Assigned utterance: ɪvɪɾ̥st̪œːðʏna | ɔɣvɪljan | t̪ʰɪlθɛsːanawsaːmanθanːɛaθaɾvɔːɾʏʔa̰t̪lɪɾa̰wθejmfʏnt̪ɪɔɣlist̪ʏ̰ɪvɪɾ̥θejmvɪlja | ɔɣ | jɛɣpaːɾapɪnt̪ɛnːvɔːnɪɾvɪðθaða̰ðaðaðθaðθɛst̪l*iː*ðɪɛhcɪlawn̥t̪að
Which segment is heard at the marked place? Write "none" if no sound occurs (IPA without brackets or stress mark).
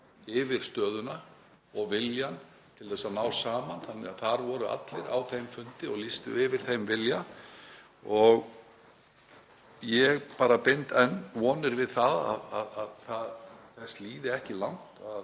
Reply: iː